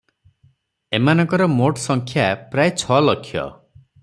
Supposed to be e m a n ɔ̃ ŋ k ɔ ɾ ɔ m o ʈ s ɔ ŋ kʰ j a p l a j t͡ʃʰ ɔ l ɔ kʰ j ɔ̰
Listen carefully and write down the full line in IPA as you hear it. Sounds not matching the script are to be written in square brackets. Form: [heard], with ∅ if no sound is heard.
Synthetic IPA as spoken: e m a n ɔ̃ ŋ k ɔ ɾ ɔ m o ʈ s ɔ ŋ kʰ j a p [ɾ] a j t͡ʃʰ ɔ l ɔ kʰ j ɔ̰